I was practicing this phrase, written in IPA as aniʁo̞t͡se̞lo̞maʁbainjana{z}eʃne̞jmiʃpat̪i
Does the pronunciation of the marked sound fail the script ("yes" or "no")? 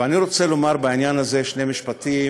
no